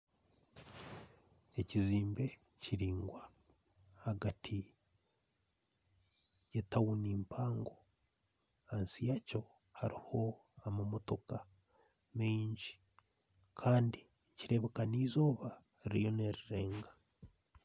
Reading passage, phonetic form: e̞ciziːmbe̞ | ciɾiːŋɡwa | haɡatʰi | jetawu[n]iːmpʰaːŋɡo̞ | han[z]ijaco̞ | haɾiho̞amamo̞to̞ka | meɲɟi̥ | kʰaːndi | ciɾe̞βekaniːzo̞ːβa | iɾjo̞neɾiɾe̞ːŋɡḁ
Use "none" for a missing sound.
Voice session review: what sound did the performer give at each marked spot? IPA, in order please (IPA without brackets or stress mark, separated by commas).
n, s